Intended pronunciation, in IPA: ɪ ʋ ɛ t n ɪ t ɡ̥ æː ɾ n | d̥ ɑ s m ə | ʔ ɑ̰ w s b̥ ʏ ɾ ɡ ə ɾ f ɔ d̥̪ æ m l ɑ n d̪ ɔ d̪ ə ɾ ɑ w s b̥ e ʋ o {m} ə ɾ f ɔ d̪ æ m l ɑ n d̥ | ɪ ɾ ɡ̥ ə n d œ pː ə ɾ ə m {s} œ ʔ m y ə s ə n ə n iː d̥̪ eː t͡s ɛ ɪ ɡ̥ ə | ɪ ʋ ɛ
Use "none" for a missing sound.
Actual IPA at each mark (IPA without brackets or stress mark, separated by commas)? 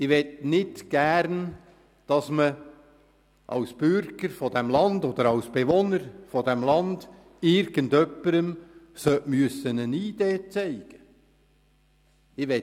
n, s